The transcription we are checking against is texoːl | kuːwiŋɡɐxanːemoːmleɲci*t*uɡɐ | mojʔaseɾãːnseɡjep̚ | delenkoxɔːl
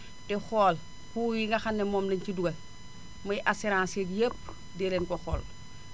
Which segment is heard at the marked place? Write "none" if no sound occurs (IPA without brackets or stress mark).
d